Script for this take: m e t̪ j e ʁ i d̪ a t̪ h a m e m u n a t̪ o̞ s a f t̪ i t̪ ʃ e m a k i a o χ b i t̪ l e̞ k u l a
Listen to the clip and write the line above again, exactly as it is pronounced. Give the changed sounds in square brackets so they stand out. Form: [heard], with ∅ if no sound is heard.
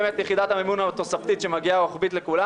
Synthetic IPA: m e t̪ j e [χ] i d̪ a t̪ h a m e m u n a t̪ o̞ s a f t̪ i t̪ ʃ e m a [ɡ] i a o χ b i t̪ l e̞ k u l a